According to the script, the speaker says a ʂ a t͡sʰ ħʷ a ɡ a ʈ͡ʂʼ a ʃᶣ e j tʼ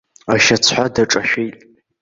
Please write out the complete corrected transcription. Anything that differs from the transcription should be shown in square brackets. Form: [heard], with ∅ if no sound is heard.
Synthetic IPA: a [ʃ] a t͡sʰ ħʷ a [d] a ʈ͡ʂʼ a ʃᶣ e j tʼ

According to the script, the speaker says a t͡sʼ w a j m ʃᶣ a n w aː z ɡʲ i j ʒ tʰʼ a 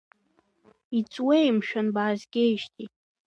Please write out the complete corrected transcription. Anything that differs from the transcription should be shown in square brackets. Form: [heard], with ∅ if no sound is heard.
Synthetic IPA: [i] t͡sʼ w [e] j m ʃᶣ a n [b] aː z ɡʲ [e] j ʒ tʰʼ [i]

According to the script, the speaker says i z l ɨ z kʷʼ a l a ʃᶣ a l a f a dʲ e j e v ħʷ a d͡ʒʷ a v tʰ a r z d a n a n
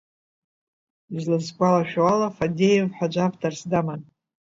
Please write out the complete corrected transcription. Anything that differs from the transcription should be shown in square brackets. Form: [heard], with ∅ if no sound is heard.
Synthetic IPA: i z l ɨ z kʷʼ a l a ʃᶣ a l a f a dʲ e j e v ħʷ a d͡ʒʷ a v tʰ a r [s] d a [m] a n

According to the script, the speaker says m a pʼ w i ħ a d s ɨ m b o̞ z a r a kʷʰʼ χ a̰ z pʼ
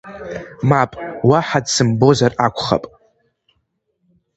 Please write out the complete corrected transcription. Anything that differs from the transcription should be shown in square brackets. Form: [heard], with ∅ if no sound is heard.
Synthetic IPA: m a pʼ w [a] ħ a d s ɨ m b o̞ z a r a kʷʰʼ χ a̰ [∅] pʼ

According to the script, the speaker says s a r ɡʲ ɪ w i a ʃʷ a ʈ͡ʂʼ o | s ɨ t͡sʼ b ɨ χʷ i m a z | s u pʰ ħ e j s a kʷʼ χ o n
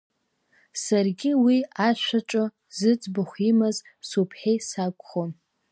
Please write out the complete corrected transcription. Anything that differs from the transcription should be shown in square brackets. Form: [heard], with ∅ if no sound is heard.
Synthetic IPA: s a r ɡʲ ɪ w i a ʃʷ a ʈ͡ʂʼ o | [z] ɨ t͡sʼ b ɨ χʷ i m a z | s u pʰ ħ e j s a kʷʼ χ o n

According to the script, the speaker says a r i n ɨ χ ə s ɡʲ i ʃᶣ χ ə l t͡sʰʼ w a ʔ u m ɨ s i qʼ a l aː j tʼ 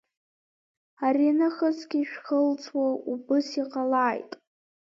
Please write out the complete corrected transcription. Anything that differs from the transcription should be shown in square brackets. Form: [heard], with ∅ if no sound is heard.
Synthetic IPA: a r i n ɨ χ ə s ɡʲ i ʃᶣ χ ə l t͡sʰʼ w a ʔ u [b] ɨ s i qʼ a l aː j tʼ

